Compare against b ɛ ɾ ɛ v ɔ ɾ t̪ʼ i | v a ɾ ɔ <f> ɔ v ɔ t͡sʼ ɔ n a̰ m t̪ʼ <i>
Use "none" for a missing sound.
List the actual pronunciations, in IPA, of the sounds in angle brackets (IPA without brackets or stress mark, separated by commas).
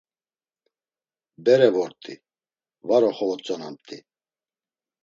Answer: χ, i